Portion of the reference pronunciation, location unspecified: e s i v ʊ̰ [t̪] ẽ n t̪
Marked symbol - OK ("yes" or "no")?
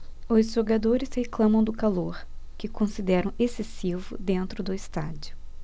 no